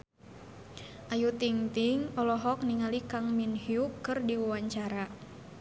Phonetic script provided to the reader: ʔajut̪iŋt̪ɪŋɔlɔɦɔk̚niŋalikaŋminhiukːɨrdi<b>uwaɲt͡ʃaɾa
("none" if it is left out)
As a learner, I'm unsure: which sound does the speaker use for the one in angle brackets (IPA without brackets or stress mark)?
w